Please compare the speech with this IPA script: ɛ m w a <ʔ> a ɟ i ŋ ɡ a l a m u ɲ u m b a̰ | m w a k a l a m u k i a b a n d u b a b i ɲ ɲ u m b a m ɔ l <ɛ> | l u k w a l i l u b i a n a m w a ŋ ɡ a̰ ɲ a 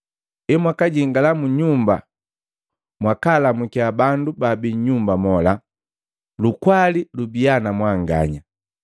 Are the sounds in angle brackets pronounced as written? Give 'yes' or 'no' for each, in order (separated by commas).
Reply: no, no